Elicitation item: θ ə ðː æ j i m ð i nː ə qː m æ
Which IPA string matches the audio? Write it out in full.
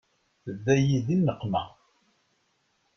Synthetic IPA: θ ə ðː æ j i ð i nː ə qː m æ